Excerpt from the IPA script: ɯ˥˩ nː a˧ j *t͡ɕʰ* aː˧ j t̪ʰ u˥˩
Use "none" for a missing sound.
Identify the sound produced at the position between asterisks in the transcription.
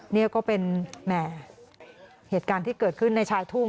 t͡ɕʰ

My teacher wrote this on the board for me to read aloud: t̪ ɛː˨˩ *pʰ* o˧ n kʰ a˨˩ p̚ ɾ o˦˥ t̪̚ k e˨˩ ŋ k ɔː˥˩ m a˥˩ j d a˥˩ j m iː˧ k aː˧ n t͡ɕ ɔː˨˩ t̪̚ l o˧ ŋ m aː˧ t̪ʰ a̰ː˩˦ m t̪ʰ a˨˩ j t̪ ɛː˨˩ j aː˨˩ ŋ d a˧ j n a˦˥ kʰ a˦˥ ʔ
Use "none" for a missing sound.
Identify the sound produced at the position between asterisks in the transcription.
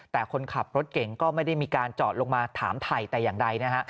kʰ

